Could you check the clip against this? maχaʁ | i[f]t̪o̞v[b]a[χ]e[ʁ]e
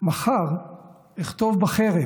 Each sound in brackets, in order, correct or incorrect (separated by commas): incorrect, correct, correct, correct